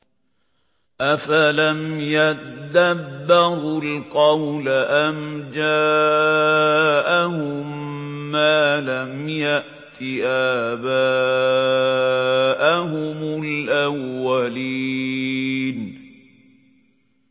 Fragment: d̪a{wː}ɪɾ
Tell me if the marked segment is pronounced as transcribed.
no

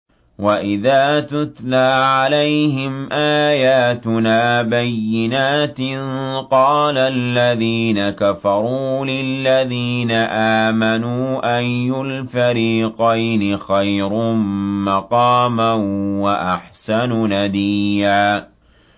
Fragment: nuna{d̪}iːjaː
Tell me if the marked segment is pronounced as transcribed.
yes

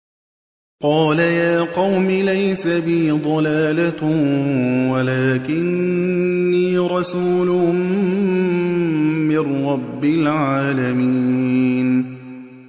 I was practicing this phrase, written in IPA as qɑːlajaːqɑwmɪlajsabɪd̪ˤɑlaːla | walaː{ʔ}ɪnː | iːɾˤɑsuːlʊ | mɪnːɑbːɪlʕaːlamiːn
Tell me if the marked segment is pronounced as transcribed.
no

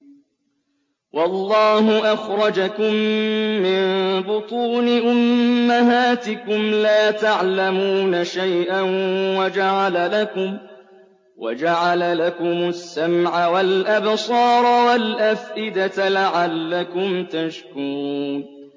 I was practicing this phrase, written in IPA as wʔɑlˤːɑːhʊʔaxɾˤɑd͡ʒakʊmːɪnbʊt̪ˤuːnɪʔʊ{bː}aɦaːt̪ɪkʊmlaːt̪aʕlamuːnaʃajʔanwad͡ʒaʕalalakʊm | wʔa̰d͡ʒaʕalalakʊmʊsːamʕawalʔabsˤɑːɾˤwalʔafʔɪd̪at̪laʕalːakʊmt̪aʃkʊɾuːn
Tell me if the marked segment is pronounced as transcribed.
no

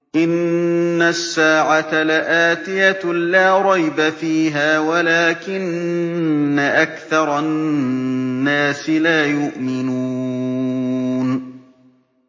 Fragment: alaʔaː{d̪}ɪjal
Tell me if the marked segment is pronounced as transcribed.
no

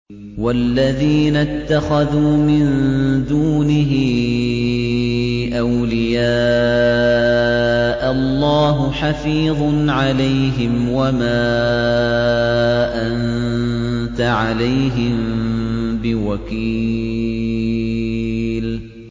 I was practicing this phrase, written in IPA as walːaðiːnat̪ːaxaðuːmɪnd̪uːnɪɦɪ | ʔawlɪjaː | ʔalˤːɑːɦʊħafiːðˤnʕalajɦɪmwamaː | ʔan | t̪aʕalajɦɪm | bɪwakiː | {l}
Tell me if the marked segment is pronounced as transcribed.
yes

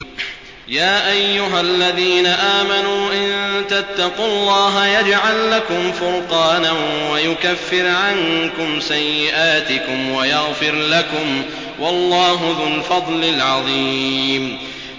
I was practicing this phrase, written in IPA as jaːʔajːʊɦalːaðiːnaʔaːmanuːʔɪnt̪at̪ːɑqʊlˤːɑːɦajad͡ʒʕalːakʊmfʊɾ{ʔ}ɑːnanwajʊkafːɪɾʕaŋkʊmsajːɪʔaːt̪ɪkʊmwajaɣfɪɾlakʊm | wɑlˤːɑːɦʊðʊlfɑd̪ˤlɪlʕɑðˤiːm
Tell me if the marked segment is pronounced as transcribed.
no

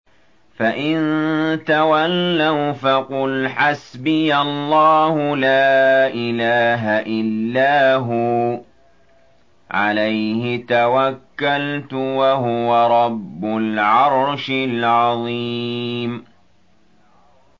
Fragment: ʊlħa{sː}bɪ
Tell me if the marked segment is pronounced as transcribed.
no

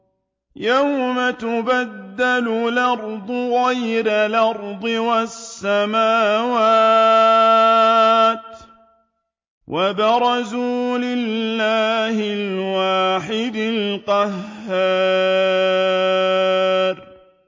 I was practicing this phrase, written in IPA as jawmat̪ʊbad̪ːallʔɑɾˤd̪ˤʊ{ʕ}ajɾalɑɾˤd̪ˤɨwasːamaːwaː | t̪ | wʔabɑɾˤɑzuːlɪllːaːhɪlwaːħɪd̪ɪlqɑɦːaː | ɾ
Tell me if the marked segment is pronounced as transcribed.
no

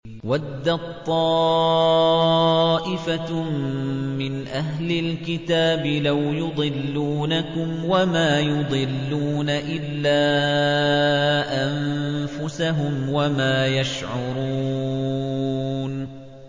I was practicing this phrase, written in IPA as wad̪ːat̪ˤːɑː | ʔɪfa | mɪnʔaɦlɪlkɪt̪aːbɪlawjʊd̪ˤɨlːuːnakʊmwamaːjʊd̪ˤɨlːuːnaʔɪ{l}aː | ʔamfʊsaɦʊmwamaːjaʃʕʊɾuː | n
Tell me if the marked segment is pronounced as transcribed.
no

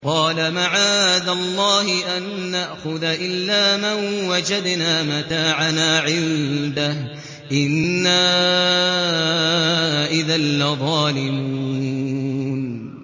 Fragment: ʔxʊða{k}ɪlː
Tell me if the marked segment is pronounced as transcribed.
no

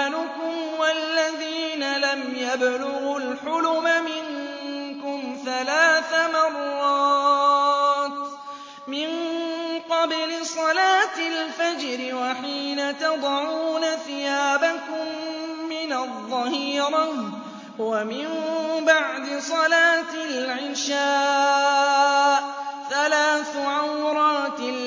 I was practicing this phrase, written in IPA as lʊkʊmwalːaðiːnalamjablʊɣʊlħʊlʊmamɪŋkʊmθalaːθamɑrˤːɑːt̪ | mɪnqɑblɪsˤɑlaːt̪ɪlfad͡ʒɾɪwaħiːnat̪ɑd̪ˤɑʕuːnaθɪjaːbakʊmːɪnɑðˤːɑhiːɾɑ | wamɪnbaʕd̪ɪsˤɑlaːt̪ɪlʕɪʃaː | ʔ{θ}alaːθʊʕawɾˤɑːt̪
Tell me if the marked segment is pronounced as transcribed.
yes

